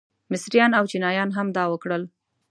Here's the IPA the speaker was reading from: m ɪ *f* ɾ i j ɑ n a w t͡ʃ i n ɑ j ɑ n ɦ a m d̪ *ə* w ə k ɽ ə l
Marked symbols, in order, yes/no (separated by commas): no, no